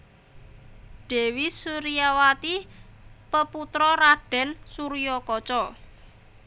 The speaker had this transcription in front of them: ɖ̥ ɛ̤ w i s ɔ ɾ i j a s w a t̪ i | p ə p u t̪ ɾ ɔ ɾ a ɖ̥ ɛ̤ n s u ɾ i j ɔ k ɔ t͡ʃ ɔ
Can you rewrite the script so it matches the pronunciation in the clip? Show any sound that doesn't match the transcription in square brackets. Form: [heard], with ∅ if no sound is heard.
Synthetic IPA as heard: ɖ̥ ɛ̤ w i s [u] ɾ i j a [∅] w a t̪ i | p ə p u t̪ ɾ ɔ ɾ a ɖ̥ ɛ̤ n s u ɾ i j ɔ k ɔ t͡ʃ ɔ